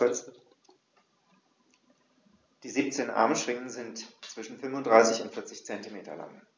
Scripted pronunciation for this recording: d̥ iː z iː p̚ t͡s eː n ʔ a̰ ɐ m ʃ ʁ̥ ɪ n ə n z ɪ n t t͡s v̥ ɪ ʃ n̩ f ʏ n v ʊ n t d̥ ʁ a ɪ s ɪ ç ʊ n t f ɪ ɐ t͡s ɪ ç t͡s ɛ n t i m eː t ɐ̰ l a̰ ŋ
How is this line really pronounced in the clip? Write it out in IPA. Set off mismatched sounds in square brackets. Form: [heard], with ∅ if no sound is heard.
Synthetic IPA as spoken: d̥ iː z iː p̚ t͡s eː n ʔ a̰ ɐ m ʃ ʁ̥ ɪ [ŋ] ə n z ɪ n t t͡s v̥ ɪ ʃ n̩ f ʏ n v ʊ n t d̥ ʁ a ɪ s ɪ ç ʊ n t f ɪ ɐ t͡s ɪ ç t͡s ɛ n t i m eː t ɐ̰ l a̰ ŋ